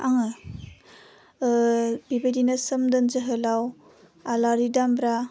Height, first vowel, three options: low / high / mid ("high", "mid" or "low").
low